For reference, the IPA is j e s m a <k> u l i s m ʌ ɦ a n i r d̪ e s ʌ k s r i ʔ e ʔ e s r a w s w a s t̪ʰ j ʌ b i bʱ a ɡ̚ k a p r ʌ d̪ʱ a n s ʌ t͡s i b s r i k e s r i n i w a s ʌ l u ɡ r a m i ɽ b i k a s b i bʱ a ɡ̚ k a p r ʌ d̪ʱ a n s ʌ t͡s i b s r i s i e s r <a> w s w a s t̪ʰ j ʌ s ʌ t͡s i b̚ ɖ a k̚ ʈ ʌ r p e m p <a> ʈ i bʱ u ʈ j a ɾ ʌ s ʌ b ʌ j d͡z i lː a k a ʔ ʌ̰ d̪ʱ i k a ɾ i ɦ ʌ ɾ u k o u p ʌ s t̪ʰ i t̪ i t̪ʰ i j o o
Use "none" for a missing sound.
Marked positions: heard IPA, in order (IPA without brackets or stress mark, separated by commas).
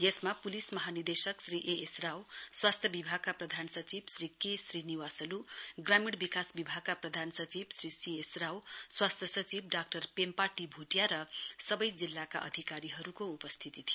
p, a, a